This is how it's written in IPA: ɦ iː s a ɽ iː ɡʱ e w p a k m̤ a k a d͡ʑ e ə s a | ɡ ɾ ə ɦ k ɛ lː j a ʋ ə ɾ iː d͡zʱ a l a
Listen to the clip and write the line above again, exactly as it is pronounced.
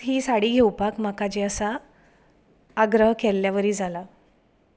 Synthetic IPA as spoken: ɦ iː s a ɽ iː ɡʱ e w p a k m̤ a k a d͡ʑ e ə s a | ɡ ɾ ə ɦ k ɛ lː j a ʋ ə ɾ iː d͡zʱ a l a